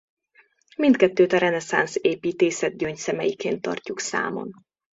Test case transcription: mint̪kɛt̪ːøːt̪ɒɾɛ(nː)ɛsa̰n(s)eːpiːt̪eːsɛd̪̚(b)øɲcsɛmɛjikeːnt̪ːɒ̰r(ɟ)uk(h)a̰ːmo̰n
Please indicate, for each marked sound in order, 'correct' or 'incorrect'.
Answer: incorrect: n, correct, incorrect: ɟ, incorrect: c, incorrect: s

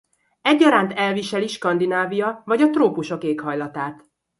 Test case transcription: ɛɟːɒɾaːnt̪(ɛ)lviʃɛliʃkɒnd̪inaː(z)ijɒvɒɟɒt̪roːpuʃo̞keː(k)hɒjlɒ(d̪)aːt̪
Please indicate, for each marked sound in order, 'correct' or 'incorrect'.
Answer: correct, incorrect: v, correct, incorrect: t̪

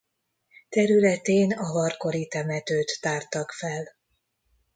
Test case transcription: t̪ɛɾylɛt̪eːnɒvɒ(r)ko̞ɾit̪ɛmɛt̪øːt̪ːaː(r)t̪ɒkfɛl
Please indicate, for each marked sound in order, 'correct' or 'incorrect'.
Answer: correct, correct

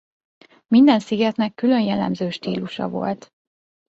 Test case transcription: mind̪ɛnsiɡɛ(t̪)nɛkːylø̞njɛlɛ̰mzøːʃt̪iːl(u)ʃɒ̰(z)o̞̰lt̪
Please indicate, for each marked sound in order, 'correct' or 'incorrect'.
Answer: correct, correct, incorrect: v

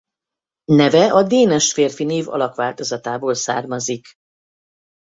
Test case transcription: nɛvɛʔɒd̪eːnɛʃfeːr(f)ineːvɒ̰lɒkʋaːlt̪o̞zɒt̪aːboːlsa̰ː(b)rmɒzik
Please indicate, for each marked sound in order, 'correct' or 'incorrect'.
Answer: correct, incorrect: none

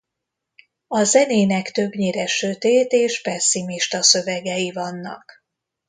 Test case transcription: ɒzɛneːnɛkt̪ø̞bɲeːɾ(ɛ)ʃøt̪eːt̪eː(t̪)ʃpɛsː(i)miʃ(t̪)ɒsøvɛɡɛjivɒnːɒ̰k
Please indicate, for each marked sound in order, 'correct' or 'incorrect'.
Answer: correct, incorrect: none, correct, correct

